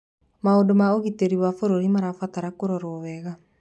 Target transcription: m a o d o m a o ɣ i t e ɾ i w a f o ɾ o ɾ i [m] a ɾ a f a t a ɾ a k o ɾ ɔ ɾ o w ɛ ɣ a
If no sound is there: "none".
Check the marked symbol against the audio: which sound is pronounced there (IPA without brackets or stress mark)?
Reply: m